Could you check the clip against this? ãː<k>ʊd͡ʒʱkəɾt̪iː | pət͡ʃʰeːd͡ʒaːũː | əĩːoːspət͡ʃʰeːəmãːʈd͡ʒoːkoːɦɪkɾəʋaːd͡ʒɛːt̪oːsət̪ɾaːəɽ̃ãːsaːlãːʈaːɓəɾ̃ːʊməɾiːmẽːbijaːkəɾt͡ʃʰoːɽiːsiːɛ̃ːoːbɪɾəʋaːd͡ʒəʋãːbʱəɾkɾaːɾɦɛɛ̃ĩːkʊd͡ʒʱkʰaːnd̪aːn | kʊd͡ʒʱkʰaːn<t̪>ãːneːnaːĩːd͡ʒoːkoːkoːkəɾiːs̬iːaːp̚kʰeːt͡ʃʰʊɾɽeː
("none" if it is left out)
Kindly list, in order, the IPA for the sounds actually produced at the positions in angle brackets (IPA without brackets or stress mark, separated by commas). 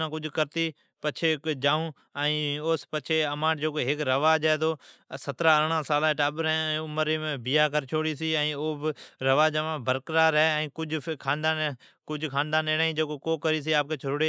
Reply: k, d̪